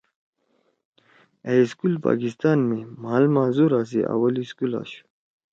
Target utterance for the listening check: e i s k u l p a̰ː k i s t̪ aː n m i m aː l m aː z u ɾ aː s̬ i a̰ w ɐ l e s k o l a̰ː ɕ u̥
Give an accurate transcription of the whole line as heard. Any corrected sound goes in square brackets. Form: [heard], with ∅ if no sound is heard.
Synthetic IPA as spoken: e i s k u l p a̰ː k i s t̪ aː n m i m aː l m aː z u ɾ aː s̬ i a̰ w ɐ l [i] s k [u] l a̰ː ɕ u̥